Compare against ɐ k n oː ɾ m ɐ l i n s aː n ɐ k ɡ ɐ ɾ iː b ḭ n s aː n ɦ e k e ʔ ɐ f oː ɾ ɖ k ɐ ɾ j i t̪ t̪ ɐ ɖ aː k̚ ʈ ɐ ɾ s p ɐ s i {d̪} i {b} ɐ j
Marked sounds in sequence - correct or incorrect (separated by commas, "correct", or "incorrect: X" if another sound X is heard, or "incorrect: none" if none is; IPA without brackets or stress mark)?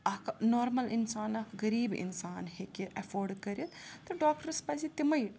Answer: incorrect: t̪, incorrect: m